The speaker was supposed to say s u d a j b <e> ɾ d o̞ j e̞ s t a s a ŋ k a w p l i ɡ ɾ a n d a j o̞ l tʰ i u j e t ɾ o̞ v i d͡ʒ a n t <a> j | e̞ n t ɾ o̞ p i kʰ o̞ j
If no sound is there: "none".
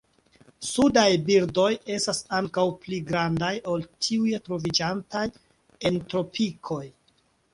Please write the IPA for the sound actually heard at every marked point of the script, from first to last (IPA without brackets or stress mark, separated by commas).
i, a